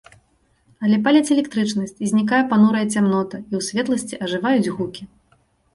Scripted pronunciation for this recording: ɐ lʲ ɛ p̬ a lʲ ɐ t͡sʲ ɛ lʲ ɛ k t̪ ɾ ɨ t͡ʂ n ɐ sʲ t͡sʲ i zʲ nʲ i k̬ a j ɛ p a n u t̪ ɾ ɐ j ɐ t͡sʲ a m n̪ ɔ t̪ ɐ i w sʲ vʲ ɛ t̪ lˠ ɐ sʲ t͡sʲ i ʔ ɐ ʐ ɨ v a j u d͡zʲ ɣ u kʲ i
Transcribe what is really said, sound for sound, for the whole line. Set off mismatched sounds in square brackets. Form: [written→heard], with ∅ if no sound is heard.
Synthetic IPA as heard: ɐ lʲ ɛ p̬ a lʲ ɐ t͡sʲ ɛ lʲ ɛ k t̪ ɾ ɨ t͡ʂ n ɐ sʲ t͡sʲ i zʲ nʲ i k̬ a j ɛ p a n u [t̪→∅] ɾ ɐ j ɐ t͡sʲ a m n̪ ɔ t̪ ɐ i w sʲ vʲ ɛ t̪ lˠ ɐ sʲ t͡sʲ i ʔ ɐ ʐ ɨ v a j u d͡zʲ ɣ u kʲ i